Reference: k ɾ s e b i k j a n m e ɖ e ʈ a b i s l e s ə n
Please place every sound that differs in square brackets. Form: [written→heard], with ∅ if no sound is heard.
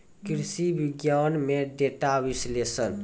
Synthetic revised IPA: k ɾ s [e→i] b i [k→ɡ] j a n m e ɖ e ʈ a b i s l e s ə n